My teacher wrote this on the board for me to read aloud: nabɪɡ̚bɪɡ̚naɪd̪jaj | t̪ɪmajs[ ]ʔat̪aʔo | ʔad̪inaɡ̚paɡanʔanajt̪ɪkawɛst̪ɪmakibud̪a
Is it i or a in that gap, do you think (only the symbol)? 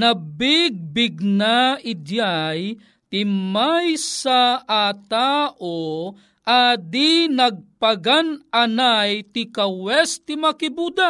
a